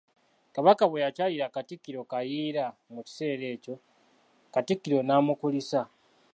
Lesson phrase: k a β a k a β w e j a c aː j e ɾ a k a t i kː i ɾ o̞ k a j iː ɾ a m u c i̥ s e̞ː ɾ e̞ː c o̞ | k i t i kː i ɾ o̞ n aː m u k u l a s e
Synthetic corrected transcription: k a β a k a β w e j a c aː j i ɾ a k a t i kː i ɾ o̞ k a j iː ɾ a m u c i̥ s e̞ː ɾ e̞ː c o̞ | k a t i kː i ɾ o̞ n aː m u k u l i s a

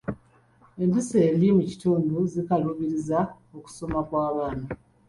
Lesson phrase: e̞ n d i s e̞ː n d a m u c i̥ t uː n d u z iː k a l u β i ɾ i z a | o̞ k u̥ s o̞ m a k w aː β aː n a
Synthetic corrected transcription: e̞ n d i s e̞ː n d i m u c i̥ t uː n d u z i k a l u β i ɾ i z a | o̞ k u̥ s o̞ m a k w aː β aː n a

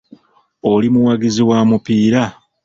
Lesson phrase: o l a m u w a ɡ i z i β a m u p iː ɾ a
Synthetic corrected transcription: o l i m u w a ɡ i z i w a m u p iː ɾ a

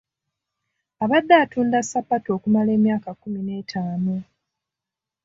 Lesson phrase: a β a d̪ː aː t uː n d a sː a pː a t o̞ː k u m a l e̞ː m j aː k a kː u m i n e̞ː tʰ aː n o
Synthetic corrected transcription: a β a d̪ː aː t uː n d a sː a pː a t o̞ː k u m a l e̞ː m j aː k a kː u m i n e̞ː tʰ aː n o

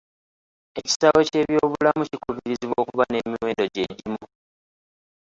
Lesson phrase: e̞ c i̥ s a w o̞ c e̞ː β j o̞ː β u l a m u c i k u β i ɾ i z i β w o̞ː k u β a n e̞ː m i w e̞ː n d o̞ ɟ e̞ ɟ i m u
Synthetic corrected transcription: e̞ c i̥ s a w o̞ c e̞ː β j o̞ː β u l a m u c i k u β i ɾ i z i β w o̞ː k u β a n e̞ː m i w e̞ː n d o̞ ɟ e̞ ɟ i m u

